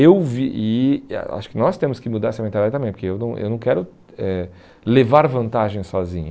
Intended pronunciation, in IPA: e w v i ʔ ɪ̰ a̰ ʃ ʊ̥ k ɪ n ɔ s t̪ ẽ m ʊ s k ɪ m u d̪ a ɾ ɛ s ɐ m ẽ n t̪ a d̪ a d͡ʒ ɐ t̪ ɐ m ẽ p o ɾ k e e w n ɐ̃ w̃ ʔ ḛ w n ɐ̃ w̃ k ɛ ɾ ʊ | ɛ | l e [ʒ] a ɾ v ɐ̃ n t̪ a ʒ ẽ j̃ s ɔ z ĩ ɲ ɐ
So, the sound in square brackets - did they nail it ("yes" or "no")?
no